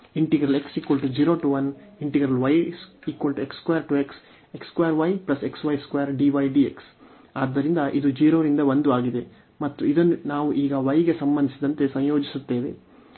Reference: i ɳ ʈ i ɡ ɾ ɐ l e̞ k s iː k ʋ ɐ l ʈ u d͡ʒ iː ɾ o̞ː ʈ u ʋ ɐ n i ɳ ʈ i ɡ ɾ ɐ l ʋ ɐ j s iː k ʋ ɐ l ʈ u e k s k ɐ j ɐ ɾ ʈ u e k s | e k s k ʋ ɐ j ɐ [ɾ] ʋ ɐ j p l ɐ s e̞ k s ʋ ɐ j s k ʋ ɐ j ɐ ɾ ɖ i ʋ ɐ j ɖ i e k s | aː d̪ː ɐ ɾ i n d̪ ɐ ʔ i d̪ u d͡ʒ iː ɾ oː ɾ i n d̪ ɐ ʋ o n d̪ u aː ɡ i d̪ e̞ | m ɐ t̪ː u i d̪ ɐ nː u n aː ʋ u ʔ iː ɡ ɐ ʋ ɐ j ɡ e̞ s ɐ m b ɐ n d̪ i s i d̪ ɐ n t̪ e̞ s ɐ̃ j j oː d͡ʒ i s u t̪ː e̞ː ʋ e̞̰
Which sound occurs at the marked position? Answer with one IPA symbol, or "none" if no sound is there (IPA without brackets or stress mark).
ɾ